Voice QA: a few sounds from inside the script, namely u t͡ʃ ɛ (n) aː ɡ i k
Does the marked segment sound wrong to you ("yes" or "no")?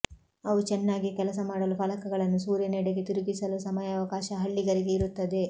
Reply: yes